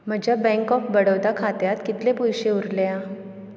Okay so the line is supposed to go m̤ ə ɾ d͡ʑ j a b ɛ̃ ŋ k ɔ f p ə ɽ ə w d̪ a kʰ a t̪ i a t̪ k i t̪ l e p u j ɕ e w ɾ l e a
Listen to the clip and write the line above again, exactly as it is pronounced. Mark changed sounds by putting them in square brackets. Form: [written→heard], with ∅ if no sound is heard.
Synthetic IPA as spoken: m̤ ə [ɾ→∅] d͡ʑ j a b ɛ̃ ŋ k ɔ f [p→b] ə ɽ ə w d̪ a kʰ a t̪ [i→j] a t̪ k i t̪ l e p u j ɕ e [w→u] ɾ l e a